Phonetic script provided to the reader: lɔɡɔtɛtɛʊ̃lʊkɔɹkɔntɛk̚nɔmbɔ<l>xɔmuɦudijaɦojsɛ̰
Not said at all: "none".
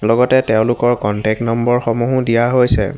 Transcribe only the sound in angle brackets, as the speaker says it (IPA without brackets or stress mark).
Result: ɹ